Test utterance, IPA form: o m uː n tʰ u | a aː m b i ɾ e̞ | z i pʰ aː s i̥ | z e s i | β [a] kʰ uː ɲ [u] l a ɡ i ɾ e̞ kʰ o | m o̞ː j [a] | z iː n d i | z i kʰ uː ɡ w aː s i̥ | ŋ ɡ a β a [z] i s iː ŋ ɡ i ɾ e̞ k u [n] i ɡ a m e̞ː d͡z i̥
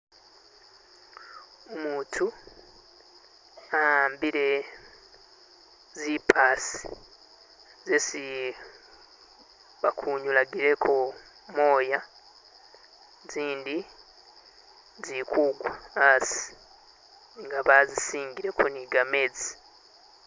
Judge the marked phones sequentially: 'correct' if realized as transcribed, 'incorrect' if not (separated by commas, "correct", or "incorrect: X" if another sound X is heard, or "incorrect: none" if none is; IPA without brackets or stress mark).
correct, correct, correct, correct, correct